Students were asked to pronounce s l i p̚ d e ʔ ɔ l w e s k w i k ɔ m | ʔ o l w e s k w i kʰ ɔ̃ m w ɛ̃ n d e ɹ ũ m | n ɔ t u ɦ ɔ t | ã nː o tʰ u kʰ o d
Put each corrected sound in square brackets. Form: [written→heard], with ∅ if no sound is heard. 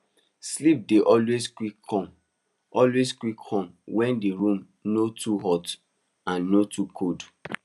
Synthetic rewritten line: s l i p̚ d e ʔ ɔ l w e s k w i k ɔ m | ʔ [o→ɔ] l w e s k w i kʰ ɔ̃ m w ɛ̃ n d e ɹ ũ m | n [ɔ→o] t u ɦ ɔ t | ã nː o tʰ u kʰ o d